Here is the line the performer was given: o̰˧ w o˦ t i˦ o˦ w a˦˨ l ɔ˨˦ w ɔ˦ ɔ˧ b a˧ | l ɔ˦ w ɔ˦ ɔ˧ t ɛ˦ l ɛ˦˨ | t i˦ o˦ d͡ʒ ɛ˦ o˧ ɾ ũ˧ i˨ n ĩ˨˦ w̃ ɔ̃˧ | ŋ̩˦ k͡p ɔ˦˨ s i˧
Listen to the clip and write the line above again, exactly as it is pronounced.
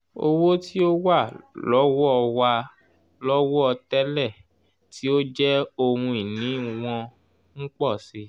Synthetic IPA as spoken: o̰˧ w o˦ t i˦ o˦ w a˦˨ l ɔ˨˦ w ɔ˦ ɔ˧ w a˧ | l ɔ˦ w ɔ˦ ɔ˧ t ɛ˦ l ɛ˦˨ | t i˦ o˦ d͡ʒ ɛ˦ o˧ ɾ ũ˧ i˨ n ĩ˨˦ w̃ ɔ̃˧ | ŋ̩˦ k͡p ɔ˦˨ s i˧

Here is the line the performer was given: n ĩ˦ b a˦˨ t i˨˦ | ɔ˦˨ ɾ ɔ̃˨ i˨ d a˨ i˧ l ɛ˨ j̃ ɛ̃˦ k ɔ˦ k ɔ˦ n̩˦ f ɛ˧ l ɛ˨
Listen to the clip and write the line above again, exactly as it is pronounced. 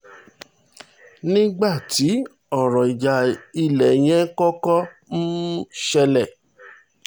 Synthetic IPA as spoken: n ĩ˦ ɡ͡b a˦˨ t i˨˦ | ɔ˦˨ ɾ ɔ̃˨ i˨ d͡ʒ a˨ i˧ l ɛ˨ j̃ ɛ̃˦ k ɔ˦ k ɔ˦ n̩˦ ʃ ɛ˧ l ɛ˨

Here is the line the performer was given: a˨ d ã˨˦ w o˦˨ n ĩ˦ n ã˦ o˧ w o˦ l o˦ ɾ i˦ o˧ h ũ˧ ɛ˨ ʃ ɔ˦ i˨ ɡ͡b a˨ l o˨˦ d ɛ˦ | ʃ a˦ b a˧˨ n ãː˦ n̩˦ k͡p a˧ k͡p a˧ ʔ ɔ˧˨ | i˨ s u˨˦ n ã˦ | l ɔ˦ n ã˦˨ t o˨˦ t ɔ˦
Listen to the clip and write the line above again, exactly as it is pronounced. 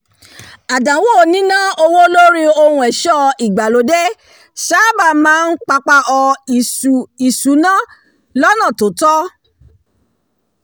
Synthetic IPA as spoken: a˨ d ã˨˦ w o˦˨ n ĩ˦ n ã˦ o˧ w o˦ l o˦ ɾ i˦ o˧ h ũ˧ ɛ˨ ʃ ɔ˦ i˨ ɡ͡b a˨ l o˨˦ d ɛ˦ | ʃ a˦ b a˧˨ m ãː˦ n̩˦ k͡p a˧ k͡p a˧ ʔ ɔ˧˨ | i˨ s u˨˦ n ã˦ | l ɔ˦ n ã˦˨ t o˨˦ t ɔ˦

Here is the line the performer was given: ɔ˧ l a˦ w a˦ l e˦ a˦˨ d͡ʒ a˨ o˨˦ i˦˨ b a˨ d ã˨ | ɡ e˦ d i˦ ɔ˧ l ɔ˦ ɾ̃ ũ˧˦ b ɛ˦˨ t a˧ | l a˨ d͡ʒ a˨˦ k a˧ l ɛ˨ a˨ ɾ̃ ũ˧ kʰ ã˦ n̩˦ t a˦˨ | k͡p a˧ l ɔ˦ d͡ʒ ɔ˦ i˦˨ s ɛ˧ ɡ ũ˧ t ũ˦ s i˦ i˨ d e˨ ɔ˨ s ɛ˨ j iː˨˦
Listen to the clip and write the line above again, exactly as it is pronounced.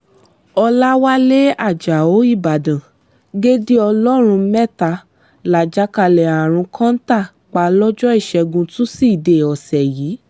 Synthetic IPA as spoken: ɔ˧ l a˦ w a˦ l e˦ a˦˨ d͡ʒ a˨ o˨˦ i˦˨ b a˨ d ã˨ | ɡ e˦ d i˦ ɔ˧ l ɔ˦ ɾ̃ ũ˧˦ m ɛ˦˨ t a˧ | l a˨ d͡ʒ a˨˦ k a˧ l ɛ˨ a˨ ɾ̃ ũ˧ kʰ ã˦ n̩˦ t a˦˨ | k͡p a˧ l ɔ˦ d͡ʒ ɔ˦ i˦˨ ʃ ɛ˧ ɡ ũ˧ t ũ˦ s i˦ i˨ d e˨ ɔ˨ s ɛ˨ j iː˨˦

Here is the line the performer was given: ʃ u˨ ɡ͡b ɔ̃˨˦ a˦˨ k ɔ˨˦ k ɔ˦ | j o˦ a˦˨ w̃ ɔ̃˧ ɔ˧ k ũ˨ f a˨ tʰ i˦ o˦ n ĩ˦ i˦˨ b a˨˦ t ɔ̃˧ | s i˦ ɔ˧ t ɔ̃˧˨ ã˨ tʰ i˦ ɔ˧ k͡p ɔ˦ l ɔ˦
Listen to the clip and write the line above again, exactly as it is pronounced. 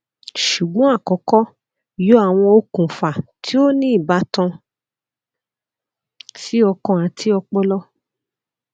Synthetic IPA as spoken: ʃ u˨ ɡ͡b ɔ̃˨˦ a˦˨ k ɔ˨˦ k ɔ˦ | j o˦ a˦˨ w̃ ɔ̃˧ o˧ k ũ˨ f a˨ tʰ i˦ o˦ n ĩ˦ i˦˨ b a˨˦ t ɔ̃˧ | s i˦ ɔ˧ k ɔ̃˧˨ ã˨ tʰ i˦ ɔ˧ k͡p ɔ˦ l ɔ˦

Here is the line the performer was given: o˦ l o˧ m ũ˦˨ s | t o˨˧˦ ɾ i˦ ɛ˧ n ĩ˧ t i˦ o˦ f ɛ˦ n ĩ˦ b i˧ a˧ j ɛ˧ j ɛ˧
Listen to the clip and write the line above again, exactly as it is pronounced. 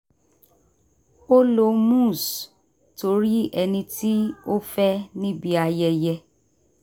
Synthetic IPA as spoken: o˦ l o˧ m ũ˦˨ s | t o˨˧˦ ɾ i˦ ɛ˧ n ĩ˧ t i˦ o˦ f ɛ˦ n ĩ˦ b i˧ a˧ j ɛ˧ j ɛ˧

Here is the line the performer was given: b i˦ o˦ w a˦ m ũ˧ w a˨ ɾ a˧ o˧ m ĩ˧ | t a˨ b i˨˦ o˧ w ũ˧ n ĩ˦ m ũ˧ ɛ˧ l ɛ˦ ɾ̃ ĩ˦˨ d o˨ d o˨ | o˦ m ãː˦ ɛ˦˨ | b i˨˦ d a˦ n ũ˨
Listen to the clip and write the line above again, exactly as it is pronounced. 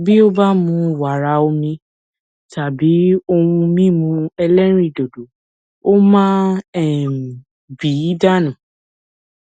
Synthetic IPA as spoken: b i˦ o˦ b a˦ m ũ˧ w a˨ ɾ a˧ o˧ m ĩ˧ | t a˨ b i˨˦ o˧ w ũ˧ m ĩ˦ m ũ˧ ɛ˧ l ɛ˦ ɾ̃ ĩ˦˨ d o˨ d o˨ | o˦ m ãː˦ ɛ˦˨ | b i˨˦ d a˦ n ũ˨

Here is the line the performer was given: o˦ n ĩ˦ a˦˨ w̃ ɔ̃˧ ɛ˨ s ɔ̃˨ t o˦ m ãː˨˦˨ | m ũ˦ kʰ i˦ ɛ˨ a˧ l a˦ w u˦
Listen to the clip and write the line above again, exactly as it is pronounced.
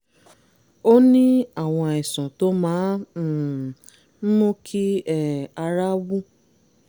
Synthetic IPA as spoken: o˦ n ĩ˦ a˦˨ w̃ ɔ̃˧ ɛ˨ s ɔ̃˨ t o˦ m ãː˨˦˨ | m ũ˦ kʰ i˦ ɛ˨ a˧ ɾ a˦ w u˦

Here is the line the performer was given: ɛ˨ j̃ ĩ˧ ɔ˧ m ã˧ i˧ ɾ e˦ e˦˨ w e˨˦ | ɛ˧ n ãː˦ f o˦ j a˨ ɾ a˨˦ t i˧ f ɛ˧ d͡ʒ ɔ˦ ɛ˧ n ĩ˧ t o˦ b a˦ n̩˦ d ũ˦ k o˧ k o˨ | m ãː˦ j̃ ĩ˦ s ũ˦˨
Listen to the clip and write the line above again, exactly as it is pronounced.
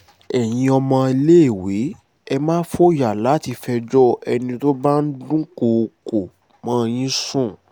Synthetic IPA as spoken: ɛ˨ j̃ ĩ˧ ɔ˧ m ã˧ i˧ l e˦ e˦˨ w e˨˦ | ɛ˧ m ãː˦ f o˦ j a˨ l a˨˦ t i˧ f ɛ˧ d͡ʒ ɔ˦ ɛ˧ n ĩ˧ t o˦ b a˦ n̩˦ d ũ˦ k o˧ k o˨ | m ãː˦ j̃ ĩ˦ s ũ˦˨

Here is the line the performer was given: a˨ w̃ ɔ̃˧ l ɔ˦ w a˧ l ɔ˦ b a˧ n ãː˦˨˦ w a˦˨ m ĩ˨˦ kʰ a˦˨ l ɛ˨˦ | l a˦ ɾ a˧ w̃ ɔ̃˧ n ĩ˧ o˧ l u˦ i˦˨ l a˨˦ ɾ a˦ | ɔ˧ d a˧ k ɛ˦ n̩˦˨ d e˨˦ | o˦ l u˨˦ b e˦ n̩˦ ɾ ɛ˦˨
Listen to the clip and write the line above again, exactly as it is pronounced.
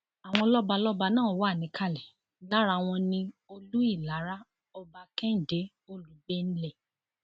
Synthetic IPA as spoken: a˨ w̃ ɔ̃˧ l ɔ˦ b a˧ l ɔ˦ b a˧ n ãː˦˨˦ w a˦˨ n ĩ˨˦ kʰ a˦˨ l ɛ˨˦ | l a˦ ɾ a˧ w̃ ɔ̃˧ n ĩ˧ o˧ l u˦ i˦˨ l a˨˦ ɾ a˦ | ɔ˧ b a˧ k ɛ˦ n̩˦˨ d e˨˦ | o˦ l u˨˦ b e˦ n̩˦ l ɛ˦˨

